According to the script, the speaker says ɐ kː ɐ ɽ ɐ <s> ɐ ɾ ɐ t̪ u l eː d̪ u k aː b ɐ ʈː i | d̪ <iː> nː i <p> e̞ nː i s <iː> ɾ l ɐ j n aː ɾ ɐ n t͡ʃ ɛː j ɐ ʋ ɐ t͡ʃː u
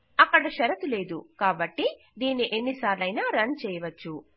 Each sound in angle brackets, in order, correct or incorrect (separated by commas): incorrect, correct, incorrect, incorrect